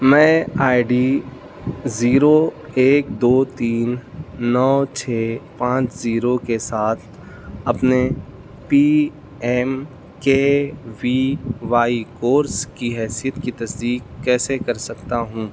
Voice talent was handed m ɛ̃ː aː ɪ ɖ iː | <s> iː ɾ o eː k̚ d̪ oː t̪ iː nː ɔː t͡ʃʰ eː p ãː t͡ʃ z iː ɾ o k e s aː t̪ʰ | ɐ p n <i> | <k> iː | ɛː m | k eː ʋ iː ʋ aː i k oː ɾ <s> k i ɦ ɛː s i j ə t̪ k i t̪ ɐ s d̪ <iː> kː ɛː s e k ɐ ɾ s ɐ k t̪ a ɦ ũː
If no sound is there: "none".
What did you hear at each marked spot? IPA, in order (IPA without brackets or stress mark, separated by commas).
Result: z, e, p, s, iː